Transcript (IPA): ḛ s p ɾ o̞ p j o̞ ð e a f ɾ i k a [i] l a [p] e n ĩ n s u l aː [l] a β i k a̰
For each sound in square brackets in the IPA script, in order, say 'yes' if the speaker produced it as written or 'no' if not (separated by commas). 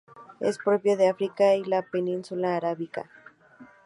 yes, yes, no